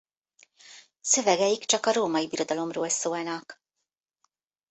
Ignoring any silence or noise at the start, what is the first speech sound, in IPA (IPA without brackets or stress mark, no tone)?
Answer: s